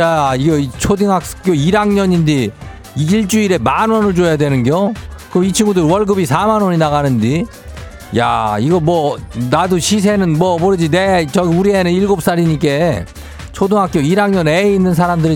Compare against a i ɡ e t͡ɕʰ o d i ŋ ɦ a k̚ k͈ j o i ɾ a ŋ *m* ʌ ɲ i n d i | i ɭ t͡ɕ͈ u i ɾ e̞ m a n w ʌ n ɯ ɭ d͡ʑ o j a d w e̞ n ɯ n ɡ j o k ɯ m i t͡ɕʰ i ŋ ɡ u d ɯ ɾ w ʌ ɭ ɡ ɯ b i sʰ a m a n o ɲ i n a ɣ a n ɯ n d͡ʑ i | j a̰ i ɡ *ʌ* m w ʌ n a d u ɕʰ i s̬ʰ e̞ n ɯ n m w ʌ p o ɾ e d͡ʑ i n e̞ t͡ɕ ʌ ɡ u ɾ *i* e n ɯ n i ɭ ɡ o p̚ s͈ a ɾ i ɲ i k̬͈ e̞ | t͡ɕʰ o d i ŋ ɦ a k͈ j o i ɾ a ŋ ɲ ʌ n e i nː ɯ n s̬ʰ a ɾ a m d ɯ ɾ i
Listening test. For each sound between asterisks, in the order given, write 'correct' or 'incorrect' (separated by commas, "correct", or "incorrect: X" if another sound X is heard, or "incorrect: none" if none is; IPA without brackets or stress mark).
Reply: incorrect: ɲ, correct, correct